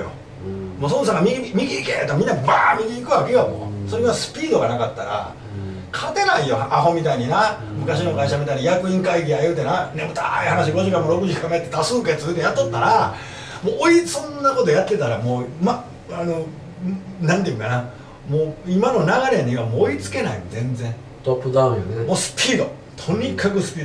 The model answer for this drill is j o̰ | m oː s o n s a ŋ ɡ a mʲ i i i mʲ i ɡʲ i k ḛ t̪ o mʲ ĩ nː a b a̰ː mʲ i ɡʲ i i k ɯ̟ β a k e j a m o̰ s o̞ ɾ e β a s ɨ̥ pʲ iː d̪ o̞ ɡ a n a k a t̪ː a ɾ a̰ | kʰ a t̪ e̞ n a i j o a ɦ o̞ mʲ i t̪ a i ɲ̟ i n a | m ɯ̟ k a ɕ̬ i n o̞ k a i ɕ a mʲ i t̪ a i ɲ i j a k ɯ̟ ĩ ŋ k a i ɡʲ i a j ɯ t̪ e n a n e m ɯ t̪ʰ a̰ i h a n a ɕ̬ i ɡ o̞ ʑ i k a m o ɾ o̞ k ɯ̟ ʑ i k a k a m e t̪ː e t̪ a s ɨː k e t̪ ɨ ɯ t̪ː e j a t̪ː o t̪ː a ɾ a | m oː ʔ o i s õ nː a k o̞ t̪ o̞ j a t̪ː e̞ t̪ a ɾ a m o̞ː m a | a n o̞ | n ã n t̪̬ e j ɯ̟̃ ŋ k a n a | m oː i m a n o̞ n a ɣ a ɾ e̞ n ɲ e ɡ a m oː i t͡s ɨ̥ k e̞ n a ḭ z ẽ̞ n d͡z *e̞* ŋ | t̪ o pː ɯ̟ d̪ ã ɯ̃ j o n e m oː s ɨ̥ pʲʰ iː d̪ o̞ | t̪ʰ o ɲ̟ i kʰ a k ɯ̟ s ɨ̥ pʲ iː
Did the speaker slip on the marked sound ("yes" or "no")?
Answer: yes